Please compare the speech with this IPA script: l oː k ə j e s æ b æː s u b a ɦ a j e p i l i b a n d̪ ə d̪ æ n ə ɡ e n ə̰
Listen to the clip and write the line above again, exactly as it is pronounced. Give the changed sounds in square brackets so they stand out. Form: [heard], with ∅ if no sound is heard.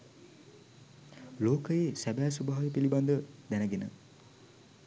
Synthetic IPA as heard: l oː k ə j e s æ b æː s u b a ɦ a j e p i l i b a n d̪ ə d̪ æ n ə ɡ e n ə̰